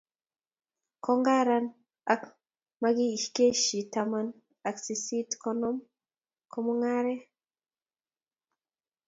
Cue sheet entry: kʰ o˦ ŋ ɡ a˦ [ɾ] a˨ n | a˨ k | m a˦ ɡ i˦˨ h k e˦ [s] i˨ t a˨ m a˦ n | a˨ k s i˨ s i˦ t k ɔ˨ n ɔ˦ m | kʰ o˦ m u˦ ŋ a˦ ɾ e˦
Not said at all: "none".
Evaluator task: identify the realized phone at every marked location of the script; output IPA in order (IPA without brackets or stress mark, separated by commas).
ɾ, ʃ